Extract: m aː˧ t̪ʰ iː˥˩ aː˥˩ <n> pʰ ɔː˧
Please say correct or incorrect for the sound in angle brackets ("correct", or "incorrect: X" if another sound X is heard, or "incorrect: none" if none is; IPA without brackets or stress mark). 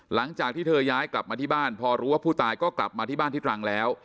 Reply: correct